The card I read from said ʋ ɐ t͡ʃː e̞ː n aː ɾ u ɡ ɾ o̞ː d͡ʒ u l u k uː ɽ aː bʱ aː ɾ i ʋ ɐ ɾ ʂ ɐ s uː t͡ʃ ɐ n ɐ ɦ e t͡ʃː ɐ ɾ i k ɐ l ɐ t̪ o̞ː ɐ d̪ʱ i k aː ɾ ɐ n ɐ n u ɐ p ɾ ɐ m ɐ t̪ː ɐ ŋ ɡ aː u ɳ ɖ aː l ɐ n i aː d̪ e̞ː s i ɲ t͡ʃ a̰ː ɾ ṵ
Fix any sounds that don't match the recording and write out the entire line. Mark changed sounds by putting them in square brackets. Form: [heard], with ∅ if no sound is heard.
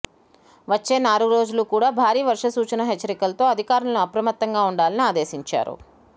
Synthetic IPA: ʋ ɐ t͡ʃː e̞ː n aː ɾ u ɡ ɾ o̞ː d͡ʒ u l u k uː ɽ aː bʱ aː ɾ [iː] ʋ ɐ ɾ ʂ ɐ s uː t͡ʃ ɐ n ɐ ɦ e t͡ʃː ɐ ɾ i k ɐ l ɐ t̪ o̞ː ɐ d̪ʱ i k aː ɾ ɐ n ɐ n u ɐ p ɾ ɐ m ɐ t̪ː ɐ ŋ ɡ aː u ɳ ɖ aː l ɐ n i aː d̪ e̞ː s i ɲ t͡ʃ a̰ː ɾ ṵ